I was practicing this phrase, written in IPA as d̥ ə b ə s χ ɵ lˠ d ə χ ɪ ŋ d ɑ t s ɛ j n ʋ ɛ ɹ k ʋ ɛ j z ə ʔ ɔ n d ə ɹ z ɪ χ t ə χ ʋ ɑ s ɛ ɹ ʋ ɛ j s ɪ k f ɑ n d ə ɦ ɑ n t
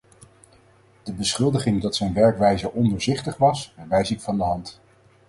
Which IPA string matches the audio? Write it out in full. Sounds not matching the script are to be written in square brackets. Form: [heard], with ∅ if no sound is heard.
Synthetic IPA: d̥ ə b ə s χ ɵ lˠ d ə χ ɪ ŋ d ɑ t s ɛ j n ʋ ɛ ɹ k ʋ ɛ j z ə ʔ ɔ n d ə ɹ z ɪ χ t ə χ ʋ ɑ s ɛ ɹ ʋ ɛ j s ɪ k f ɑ n d ə ɦ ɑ n t

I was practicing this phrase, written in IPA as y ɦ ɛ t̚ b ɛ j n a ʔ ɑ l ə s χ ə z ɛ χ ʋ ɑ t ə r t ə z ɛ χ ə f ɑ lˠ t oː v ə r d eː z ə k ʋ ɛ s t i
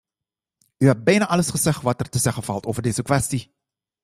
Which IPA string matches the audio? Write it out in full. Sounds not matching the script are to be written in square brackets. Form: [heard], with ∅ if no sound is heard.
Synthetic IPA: y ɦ ɛ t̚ b ɛ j n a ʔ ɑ l ə s χ ə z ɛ χ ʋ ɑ t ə r t ə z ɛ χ ə f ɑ lˠ t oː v ə r d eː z ə k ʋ ɛ s t i

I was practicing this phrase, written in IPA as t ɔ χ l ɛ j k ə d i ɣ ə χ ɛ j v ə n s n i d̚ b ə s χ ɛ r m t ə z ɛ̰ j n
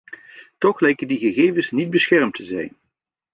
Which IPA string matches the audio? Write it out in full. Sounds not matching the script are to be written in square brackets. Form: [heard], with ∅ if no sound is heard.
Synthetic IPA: t ɔ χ l ɛ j k ə d i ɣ ə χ [e] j v ə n s n i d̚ b ə s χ ɛ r m t ə z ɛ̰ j n

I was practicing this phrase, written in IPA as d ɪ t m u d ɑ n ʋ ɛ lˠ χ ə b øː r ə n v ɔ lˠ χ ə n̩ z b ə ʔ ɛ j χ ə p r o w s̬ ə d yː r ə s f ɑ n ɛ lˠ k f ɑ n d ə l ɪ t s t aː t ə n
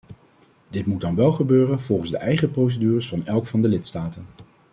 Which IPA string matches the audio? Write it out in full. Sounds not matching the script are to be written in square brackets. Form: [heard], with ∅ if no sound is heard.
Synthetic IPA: d ɪ t m u d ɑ n ʋ ɛ lˠ χ ə b øː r ə n v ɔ lˠ χ ə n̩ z [d] ə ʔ ɛ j χ ə p r o w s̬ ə d yː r ə s f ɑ n ɛ lˠ k f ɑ n d ə l ɪ t s t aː t ə n

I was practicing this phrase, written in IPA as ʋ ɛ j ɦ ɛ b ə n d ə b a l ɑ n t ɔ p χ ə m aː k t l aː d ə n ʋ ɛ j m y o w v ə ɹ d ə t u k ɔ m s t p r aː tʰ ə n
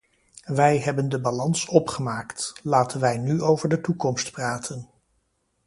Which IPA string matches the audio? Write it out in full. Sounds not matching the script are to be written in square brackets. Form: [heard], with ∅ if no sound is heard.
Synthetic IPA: ʋ ɛ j ɦ ɛ b ə n d ə b a l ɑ n [s] ɔ p χ ə m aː k t l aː [t] ə n ʋ ɛ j [n] y o w v ə ɹ d ə t u k ɔ m s t p r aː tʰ ə n

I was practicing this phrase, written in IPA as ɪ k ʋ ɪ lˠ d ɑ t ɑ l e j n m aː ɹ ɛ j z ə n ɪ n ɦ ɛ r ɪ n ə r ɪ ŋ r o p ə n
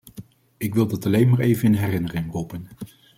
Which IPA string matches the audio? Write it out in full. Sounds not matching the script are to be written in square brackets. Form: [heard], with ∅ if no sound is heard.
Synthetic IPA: ɪ k ʋ ɪ lˠ d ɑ t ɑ l e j n m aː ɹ [e] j [v] ə n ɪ n ɦ ɛ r ɪ n ə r ɪ ŋ r [u] p ə n

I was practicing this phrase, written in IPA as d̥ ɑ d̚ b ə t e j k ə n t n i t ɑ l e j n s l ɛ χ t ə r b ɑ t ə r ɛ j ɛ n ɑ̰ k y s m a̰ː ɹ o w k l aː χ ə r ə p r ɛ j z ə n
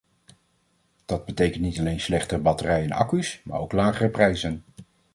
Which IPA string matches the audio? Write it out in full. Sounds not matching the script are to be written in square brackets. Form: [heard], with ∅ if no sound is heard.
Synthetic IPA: d̥ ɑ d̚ b ə t e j k ə n t n i t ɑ l e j n s l ɛ χ t ə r b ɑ t ə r ɛ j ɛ n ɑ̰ k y s m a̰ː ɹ o w k l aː χ ə r ə p r ɛ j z ə n

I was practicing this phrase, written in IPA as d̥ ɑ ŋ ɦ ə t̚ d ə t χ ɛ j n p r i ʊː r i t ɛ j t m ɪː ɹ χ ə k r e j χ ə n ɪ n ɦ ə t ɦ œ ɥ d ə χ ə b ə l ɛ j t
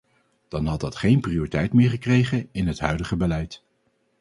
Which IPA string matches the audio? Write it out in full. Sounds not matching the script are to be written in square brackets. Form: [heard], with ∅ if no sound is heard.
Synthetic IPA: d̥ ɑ [n] ɦ [ɑ] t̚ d [ɑ] t χ [e] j n p r i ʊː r i t ɛ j t m ɪː ɹ χ ə k r e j χ ə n ɪ n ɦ ə t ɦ œ ɥ d ə χ ə b ə l ɛ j t

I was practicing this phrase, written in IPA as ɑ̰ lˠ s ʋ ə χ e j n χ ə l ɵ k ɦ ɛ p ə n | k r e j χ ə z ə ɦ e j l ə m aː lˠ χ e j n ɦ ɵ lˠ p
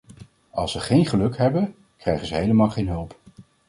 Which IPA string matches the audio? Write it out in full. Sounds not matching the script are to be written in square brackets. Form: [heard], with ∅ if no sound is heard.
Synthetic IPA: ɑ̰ lˠ s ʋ ə χ e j n χ ə l ɵ k ɦ ɛ [b] ə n | k r [ɛ] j χ ə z ə ɦ e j l ə m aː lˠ χ e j n ɦ ɵ lˠ p

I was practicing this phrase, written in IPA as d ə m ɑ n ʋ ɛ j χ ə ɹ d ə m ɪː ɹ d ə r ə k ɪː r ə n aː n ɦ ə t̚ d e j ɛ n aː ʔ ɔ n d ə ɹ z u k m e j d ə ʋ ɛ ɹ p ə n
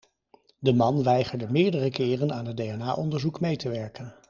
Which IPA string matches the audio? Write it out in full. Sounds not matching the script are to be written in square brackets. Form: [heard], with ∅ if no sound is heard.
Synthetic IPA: d ə m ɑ n ʋ ɛ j χ ə ɹ d ə m ɪː ɹ d ə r ə k ɪː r ə n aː n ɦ ə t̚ d e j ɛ n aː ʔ ɔ n d ə ɹ z u k m e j [t] ə ʋ ɛ ɹ [k] ə n

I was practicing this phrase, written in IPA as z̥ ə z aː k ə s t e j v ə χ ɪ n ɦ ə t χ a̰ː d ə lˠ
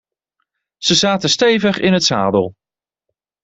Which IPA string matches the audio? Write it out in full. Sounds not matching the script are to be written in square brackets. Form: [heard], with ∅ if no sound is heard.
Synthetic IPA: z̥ ə z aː [t] ə s t e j v ə χ ɪ n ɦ ə t [s] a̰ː d ə lˠ

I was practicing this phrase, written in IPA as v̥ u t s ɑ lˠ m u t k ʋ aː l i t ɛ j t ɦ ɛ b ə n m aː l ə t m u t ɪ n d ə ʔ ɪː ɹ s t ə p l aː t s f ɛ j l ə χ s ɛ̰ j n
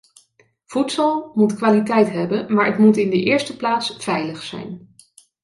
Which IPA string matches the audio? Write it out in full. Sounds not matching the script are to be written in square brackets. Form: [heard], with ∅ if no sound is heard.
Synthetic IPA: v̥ u t s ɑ lˠ m u t k ʋ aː l i t ɛ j t ɦ ɛ b ə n m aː [ɹ] ə t m u t ɪ n d ə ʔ ɪː ɹ s t ə p l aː t s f ɛ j l ə χ s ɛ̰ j n

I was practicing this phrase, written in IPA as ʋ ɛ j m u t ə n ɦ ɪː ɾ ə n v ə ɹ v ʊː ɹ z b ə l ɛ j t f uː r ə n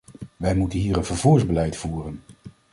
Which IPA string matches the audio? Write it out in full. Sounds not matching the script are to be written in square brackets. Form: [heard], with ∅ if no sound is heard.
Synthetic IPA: ʋ ɛ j m u t ə n ɦ [iː] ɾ ə n v ə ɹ v [uː] ɹ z b ə l ɛ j t f uː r ə n

